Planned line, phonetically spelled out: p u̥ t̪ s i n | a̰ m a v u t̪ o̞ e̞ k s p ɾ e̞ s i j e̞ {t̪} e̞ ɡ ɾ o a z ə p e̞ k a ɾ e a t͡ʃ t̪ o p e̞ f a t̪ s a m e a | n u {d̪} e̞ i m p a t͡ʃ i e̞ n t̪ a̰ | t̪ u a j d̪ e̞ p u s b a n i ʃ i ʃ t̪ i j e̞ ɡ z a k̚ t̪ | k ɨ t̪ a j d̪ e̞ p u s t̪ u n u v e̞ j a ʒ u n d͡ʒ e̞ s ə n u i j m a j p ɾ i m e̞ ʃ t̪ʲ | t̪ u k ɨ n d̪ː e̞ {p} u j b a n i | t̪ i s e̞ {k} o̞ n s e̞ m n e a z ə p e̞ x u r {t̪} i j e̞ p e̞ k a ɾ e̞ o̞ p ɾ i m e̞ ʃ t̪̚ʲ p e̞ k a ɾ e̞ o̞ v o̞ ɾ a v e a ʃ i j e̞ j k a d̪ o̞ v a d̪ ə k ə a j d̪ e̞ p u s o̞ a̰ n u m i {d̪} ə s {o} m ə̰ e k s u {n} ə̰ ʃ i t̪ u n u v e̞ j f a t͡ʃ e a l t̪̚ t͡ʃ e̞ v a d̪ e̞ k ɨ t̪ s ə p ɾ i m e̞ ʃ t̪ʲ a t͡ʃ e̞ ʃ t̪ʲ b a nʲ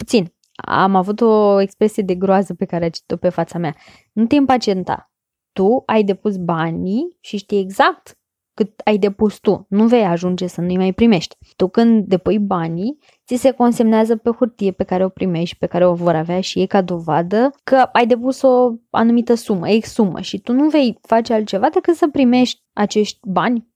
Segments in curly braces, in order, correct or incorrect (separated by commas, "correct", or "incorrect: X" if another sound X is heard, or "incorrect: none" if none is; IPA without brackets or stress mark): incorrect: d̪, incorrect: t̪, correct, correct, correct, incorrect: t̪, incorrect: u, incorrect: m